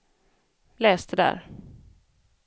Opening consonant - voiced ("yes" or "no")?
yes